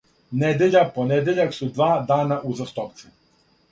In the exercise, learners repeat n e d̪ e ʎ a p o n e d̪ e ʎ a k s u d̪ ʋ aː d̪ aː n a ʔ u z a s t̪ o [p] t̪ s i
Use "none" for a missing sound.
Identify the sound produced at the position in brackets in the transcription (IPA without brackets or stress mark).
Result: p